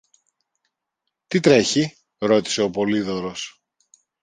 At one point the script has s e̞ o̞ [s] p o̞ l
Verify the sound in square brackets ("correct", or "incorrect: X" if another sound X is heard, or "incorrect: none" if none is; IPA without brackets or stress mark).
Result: incorrect: none